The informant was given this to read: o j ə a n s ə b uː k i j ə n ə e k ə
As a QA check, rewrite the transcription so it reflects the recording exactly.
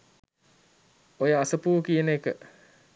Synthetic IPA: o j ə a s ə p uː k i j ə n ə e k ə